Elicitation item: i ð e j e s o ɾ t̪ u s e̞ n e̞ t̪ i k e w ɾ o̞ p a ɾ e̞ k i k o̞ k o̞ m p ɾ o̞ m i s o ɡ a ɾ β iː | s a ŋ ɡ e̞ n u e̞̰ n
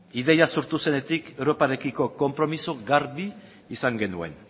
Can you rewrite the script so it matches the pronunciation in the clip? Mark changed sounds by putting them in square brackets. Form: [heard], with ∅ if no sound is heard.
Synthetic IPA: i ð e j [a] s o ɾ t̪ u s e̞ n e̞ t̪ i k e w ɾ o̞ p a ɾ e̞ k i k o̞ k o̞ m p ɾ o̞ m i s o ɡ a ɾ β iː | s a ŋ ɡ e̞ n u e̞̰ n